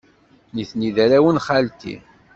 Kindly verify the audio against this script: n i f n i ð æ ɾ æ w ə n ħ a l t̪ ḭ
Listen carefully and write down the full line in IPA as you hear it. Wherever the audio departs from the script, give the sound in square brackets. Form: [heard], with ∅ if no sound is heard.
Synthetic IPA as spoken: n i [θ] n i ð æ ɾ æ w ə n [χ] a l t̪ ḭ